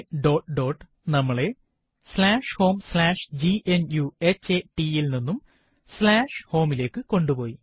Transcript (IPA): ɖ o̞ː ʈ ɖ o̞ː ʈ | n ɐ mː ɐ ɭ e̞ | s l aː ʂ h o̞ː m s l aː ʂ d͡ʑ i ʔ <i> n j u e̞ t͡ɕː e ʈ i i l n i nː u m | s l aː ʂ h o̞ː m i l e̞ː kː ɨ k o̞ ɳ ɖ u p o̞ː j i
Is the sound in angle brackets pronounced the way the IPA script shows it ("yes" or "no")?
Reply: no